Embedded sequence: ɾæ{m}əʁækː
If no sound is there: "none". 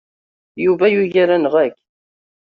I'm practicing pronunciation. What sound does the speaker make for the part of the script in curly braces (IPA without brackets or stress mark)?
n